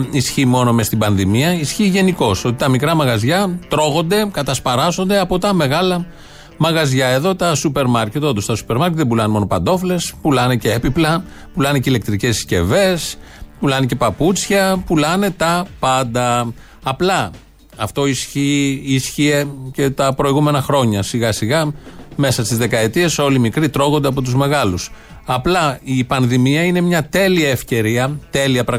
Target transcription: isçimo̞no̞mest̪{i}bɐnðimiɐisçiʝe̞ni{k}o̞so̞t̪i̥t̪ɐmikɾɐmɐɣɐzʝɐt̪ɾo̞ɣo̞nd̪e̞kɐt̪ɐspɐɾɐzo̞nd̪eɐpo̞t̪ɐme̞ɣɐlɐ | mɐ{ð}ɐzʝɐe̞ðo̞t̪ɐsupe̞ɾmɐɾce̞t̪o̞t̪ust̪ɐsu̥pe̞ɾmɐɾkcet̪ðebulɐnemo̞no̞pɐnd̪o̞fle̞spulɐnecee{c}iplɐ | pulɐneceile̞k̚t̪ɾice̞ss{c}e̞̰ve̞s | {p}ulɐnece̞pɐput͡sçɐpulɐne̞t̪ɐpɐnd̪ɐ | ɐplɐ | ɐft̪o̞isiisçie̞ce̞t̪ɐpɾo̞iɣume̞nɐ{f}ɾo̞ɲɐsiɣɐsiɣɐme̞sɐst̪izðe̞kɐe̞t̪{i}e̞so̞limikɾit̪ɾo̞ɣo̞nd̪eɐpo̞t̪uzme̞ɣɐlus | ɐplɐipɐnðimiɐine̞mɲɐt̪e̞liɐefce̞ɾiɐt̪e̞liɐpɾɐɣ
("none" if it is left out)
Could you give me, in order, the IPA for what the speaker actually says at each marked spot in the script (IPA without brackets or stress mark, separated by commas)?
i, k, ɣ, p, c, p, x, i